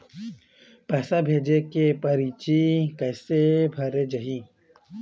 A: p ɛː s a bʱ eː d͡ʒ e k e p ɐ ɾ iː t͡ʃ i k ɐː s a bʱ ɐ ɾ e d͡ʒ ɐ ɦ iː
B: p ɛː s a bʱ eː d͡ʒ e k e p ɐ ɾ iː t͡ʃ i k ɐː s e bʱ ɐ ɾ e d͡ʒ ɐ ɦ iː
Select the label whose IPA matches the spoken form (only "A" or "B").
B